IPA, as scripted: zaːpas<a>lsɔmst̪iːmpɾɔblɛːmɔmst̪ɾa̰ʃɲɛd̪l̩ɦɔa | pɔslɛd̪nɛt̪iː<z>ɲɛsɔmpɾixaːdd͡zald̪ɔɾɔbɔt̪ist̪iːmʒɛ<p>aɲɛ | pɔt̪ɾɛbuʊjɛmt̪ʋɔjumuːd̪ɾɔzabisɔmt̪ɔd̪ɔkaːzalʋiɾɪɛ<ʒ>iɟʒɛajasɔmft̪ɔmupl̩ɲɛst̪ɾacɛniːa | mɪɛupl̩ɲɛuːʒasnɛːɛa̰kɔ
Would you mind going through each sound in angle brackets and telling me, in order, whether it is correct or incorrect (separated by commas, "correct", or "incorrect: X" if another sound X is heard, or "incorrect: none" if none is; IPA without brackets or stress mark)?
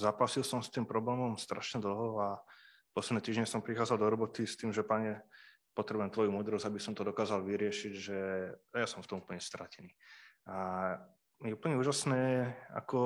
incorrect: i, incorrect: ʒ, correct, incorrect: ʃ